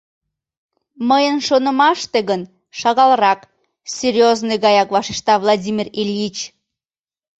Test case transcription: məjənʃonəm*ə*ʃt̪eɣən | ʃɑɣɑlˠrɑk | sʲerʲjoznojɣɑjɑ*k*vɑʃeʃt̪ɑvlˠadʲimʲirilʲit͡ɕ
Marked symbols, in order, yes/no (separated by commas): no, yes